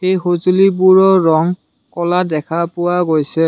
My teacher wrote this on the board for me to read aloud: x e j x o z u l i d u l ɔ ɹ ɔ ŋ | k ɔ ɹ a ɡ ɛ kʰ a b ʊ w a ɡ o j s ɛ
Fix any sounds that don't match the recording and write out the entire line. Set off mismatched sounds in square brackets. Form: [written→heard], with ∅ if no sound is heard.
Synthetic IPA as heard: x e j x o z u l i [d→b] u [l→ɹ] ɔ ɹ ɔ ŋ | k ɔ [ɹ→l] a [ɡ→d] ɛ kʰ a [b→p] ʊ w a ɡ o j s ɛ